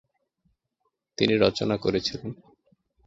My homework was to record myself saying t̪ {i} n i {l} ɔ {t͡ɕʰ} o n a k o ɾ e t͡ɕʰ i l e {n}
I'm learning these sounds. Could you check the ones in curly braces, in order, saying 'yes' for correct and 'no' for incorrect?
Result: yes, no, no, yes

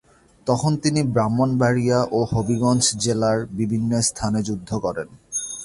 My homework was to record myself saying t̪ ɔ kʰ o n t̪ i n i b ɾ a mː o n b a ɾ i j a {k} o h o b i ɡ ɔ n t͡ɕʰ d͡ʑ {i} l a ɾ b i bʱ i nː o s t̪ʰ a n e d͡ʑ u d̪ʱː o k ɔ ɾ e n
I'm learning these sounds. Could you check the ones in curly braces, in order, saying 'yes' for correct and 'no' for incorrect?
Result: no, no

